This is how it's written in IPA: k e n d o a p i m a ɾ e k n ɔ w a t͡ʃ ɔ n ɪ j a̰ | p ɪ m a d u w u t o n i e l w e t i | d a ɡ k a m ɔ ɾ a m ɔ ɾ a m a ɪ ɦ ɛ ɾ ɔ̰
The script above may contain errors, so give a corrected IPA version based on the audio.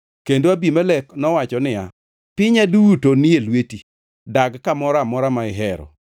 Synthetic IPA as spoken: k e n d o a b i m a l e k n ɔ w a t͡ʃ ɔ n ɪ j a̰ | p ɪ ɲ a d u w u t o n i e l w e t i | d a ɡ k a m ɔ ɾ a m ɔ ɾ a m a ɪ ɦ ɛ ɾ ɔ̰